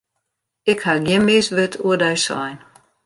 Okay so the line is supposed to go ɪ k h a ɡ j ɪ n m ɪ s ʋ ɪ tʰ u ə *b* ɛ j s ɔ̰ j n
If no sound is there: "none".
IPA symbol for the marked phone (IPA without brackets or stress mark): d